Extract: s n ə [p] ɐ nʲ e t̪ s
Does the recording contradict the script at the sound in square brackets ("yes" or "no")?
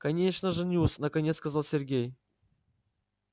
yes